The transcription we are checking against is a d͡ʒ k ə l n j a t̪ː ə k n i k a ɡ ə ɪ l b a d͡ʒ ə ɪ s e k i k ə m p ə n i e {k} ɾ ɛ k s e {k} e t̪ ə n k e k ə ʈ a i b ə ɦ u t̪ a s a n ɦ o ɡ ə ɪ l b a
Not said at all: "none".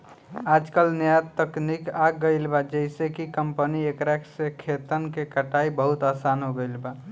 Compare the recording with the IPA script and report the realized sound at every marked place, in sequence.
k, kʰ

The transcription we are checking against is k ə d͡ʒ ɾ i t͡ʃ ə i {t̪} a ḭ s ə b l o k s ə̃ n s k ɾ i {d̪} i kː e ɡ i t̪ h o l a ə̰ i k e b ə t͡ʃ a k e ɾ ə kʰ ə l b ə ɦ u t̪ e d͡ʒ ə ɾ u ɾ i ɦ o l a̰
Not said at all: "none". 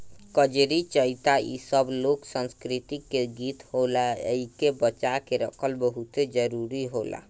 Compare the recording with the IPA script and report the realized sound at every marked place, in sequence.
t̪, t̪

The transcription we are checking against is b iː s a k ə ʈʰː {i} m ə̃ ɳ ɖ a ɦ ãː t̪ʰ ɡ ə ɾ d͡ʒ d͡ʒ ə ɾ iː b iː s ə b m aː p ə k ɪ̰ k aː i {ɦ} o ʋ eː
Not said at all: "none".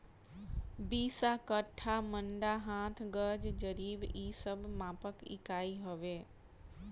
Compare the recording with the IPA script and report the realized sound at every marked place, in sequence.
a, ɦ

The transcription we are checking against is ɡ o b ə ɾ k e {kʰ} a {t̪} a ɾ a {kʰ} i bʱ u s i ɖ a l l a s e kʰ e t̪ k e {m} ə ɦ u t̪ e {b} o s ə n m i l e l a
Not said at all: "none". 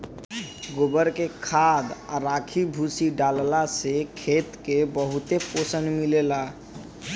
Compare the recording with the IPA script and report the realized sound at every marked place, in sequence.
kʰ, d̪, kʰ, b, p

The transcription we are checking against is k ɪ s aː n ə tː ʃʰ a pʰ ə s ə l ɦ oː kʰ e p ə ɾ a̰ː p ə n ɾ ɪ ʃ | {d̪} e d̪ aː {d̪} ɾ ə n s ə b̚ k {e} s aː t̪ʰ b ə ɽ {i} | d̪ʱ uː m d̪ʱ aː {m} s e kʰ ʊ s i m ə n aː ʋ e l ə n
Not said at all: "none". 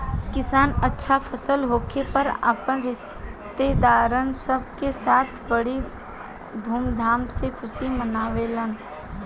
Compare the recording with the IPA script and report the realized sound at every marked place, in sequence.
t̪, none, e, i, m

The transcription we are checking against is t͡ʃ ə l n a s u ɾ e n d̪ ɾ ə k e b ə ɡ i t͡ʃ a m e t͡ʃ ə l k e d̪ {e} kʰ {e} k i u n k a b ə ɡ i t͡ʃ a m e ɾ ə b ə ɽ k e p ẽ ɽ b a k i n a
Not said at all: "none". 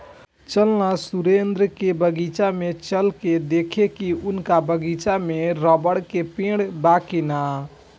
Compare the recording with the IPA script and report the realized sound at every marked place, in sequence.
e, e

